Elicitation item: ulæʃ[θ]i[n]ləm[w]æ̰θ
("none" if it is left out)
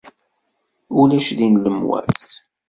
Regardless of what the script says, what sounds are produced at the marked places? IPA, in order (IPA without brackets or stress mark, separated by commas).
ð, n, w